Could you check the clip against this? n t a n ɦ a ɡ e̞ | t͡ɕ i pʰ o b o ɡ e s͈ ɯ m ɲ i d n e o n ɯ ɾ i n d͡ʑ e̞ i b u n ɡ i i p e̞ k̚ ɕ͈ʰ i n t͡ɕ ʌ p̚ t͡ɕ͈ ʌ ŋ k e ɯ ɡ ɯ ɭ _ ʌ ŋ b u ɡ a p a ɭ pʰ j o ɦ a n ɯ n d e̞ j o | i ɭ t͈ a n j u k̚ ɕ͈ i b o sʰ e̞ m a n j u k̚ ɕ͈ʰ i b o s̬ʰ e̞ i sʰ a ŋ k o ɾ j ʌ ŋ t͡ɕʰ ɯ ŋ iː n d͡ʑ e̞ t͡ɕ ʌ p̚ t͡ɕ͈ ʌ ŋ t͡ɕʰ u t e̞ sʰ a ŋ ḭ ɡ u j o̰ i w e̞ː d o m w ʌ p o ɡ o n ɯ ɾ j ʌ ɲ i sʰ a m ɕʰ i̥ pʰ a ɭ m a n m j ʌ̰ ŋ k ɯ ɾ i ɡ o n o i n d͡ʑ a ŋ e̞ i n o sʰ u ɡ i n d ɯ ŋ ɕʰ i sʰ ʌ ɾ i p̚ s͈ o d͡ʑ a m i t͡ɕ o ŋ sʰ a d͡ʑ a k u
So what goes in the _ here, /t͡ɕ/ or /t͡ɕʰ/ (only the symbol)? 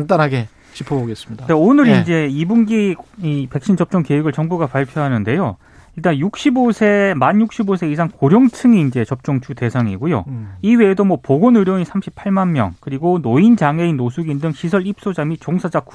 t͡ɕ